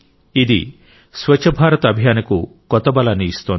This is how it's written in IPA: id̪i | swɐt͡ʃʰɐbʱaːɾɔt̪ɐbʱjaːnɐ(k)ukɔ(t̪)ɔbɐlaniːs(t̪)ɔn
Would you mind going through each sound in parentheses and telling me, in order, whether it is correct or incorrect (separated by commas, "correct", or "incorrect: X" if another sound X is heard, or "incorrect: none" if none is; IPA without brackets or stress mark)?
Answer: correct, correct, correct